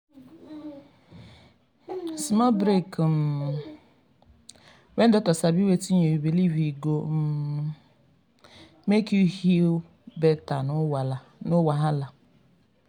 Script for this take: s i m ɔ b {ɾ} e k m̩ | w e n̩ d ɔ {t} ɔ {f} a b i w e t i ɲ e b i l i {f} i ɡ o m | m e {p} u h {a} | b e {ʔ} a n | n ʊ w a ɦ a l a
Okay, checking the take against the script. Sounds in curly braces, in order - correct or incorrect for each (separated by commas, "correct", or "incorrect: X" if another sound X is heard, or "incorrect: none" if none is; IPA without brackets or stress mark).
correct, correct, incorrect: s, incorrect: v, incorrect: k, incorrect: i, incorrect: t